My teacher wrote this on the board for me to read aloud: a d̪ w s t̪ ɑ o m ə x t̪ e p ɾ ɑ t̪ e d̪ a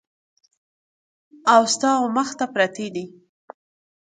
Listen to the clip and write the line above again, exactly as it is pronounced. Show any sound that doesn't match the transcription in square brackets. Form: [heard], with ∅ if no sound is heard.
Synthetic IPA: a [∅] w s t̪ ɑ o m ə x t̪ [a] p ɾ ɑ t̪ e d̪ [i]